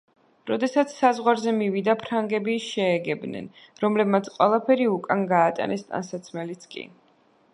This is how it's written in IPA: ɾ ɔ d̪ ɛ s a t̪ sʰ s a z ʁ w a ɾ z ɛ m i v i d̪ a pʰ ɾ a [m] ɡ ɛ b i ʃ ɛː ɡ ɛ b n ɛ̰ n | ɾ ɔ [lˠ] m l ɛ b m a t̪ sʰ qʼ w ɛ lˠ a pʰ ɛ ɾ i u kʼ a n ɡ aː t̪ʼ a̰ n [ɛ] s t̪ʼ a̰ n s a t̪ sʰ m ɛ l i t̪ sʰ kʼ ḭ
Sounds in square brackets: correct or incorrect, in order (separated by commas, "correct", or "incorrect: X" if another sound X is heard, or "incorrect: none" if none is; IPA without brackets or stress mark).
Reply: incorrect: ŋ, incorrect: none, correct